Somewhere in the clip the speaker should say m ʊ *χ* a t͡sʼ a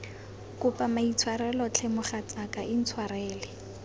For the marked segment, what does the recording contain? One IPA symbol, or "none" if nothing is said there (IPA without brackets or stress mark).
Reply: χ